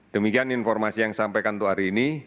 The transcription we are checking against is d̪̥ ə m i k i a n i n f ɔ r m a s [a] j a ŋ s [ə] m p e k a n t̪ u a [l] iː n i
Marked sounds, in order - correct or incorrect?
incorrect, incorrect, incorrect

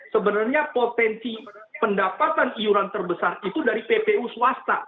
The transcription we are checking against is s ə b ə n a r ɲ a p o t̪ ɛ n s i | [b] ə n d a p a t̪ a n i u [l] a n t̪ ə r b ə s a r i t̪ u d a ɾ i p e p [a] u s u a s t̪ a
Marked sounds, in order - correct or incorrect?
incorrect, incorrect, incorrect

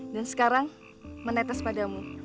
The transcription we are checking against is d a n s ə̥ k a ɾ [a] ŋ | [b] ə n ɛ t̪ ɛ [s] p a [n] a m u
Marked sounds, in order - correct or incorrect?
correct, incorrect, correct, incorrect

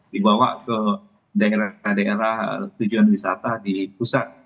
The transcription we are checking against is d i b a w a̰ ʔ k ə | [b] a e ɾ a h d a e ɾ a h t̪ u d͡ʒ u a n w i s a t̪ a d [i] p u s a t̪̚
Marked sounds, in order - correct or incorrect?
incorrect, correct

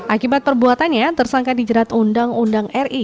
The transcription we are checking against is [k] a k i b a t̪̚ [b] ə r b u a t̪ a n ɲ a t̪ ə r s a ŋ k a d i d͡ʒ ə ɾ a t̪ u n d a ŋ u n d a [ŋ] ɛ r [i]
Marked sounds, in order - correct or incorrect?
incorrect, incorrect, correct, correct

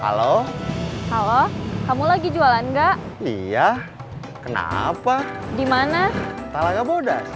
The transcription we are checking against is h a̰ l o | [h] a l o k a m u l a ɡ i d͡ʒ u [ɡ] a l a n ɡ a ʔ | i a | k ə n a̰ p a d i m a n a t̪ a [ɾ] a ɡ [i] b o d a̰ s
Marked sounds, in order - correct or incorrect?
correct, incorrect, incorrect, incorrect

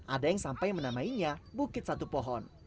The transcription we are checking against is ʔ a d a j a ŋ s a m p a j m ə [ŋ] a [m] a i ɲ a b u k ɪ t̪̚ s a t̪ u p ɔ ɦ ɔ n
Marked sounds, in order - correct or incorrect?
incorrect, correct

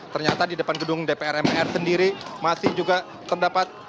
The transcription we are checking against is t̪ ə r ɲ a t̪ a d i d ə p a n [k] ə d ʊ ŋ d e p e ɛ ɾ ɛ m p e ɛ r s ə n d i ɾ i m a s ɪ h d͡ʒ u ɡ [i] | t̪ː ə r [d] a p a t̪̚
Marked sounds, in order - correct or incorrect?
incorrect, incorrect, correct

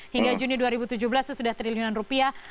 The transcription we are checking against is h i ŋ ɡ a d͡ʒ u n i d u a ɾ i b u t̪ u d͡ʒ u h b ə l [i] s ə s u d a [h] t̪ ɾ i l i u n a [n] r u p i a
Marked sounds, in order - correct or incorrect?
incorrect, correct, correct

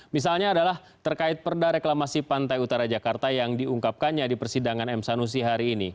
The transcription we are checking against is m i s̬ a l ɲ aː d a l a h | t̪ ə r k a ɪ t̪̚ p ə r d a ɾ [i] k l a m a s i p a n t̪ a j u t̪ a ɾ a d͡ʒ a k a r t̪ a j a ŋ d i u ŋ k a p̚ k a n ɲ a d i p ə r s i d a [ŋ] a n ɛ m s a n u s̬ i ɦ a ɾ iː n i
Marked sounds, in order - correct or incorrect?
incorrect, correct

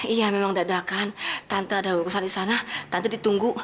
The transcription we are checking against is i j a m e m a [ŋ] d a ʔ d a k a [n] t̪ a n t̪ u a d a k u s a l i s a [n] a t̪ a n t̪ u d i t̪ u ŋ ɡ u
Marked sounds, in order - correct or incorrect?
correct, correct, correct

